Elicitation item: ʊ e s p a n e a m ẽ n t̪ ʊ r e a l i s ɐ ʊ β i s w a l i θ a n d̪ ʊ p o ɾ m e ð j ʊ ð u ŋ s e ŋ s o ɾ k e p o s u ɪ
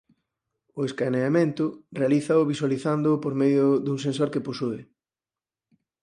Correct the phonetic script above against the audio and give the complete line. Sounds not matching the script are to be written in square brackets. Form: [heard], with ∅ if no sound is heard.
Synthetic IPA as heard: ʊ e s [k] a n e a m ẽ n t̪ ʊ r e a l i [θ] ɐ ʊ β i s w a l i θ a n d̪ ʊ p o ɾ m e ð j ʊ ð u ŋ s e [n] s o ɾ k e p o s u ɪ

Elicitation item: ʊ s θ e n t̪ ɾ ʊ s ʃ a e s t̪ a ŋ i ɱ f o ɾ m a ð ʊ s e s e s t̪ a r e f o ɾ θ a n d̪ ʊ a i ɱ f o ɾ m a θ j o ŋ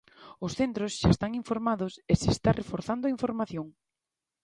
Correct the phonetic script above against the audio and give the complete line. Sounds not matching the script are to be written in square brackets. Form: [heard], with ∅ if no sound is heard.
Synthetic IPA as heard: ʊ s θ e n t̪ ɾ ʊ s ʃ a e s t̪ a ŋ i ɱ f o ɾ m a ð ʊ s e s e s t̪ a r e f o ɾ θ a n d̪ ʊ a i ɱ f o ɾ m a θ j o ŋ

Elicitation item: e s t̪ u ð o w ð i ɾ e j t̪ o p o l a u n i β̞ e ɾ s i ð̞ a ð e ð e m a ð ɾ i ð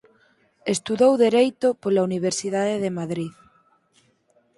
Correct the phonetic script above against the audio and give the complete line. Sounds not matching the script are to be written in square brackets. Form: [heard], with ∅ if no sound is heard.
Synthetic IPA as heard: e s t̪ u ð o w ð [e] ɾ e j t̪ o p o l a u n i β̞ e ɾ s i ð̞ a ð e ð e m a ð ɾ i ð

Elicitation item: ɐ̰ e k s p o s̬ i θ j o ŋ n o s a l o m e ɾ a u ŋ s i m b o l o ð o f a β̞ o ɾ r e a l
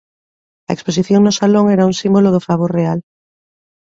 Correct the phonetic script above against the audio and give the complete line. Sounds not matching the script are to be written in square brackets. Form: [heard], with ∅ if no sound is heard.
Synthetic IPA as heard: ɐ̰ e k s p o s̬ i θ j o ŋ n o s a l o [ŋ] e ɾ a u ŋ s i m b o l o ð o f a β̞ o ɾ r e a l

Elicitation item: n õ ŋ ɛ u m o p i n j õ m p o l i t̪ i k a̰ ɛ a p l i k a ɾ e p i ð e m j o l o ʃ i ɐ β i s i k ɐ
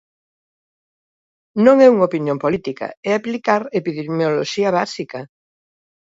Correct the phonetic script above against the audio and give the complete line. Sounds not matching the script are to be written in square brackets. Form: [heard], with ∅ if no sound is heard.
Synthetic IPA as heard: n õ ŋ ɛ u [ŋ] o p i n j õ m p o l i t̪ i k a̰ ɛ a p l i k a ɾ e p i ð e m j o l o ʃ i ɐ β [a] s i k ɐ

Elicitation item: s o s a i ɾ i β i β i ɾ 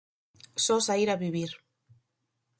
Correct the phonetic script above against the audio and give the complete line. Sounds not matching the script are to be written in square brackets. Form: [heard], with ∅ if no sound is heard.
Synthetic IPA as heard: s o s a i ɾ [a] β i β i ɾ

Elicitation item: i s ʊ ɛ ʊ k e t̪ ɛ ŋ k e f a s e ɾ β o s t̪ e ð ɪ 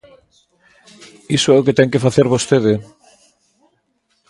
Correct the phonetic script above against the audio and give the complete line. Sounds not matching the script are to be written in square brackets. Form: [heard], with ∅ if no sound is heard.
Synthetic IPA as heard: i s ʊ ɛ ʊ k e t̪ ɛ ŋ k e f a [θ] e ɾ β o s t̪ e ð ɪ

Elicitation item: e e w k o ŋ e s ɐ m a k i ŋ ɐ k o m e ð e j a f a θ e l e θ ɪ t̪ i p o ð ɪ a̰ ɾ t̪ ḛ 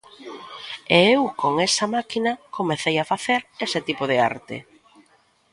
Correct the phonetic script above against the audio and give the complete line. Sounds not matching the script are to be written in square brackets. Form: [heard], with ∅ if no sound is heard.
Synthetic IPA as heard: e e w k o ŋ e s ɐ m a k i [n] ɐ k o m e [θ] e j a f a θ e [ɾ] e [s] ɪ t̪ i p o ð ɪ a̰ ɾ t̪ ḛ

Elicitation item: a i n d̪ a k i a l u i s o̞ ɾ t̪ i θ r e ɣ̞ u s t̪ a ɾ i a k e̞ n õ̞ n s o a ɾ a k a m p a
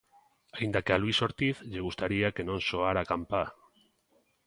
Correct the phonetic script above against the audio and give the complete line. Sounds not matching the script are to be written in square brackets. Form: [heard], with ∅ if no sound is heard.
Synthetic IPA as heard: a i n d̪ a k [e] a l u i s o̞ ɾ t̪ i θ [ʎ] e ɣ̞ u s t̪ a ɾ i a k e̞ n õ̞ n s o a ɾ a k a m p a

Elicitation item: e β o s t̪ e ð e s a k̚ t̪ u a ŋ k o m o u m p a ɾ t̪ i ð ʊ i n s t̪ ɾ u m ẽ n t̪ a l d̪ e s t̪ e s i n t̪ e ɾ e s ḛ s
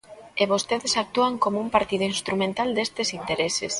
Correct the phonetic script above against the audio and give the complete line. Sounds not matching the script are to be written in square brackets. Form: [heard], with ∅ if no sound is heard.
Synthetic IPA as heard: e β o s t̪ e ð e s a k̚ t̪ u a ŋ k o m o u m p a ɾ t̪ i ð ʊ i n s t̪ ɾ u m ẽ n t̪ a l d̪ e s t̪ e s i n t̪ e ɾ e s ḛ s

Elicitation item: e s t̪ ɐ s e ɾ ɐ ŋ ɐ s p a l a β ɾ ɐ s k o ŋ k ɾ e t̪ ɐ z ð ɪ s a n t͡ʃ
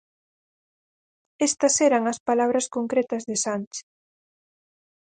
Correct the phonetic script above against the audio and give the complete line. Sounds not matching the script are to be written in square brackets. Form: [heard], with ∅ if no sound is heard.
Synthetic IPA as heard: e s t̪ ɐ s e ɾ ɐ ŋ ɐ s p a l a β ɾ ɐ s k o ŋ k ɾ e t̪ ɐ z ð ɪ s a n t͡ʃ

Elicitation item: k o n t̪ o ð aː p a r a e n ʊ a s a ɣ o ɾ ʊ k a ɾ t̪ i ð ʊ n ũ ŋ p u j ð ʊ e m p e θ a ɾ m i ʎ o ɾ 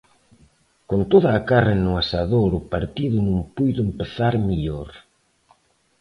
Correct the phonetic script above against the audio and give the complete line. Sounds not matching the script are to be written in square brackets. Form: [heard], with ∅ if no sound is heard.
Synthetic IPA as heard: k o n t̪ o ð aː [k] a r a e n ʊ a s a [ð] o ɾ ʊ [p] a ɾ t̪ i ð ʊ n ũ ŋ p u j ð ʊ e m p e θ a ɾ m i ʎ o ɾ

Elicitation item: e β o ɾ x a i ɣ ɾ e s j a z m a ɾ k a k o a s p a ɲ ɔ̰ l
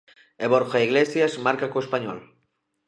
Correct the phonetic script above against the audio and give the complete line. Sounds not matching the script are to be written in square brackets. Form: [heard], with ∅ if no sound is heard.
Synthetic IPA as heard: e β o ɾ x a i ɣ [l] e s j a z m a ɾ k a k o [e] s p a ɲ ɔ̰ l

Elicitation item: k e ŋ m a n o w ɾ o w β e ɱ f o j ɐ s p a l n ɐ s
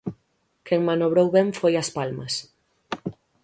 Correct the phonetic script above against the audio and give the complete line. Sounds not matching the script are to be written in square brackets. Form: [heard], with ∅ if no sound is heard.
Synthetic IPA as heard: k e ŋ m a n o [β] ɾ o w β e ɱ f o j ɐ s p a l [m] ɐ s

